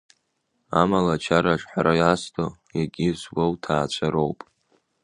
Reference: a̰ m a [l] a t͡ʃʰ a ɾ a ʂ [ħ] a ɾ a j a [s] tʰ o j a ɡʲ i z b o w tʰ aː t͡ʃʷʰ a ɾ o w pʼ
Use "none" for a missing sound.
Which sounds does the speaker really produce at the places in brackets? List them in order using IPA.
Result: l, ħ, s

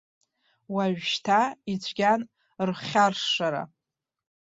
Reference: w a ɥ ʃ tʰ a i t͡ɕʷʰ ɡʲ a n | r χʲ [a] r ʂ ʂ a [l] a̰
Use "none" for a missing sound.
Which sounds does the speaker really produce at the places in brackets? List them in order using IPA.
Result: a, ɾ

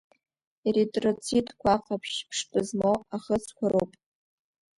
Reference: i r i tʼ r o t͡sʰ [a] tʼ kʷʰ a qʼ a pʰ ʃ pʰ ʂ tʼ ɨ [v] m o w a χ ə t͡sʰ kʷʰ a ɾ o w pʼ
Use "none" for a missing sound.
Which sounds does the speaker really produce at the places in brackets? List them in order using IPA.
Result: i, z

